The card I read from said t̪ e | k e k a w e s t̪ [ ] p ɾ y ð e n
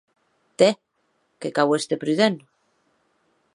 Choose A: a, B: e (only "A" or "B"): B